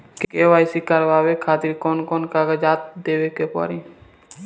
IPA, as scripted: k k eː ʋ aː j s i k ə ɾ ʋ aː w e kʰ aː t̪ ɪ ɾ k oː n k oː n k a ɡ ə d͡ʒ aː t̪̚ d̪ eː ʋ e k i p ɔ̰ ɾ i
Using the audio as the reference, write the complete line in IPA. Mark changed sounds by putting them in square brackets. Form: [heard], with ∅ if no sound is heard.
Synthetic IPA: k k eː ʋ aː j s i k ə ɾ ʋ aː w e kʰ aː t̪ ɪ ɾ k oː n k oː n k a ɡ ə d͡ʒ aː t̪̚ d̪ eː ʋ e k [e] p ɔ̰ ɾ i